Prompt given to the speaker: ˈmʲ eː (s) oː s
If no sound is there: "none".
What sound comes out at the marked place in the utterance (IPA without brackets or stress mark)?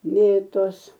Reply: t